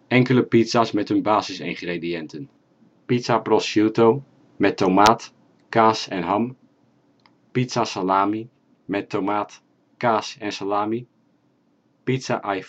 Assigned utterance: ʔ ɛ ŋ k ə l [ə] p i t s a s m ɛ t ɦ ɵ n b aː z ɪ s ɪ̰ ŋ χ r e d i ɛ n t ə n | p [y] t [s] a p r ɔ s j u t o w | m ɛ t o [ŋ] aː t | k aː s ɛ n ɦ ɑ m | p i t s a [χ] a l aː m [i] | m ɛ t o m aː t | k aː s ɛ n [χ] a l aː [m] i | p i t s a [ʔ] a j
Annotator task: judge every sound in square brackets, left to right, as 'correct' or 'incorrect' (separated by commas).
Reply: correct, incorrect, correct, incorrect, incorrect, correct, incorrect, correct, correct